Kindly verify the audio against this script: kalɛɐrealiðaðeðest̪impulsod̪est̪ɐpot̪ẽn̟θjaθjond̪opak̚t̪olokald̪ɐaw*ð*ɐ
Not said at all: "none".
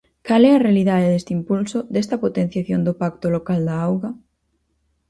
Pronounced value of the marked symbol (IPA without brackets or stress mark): ɣ